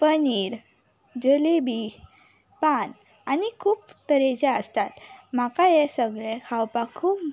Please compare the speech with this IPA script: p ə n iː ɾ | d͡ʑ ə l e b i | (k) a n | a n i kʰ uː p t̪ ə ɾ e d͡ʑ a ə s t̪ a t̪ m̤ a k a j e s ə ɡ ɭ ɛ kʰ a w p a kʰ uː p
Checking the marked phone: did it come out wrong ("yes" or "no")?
yes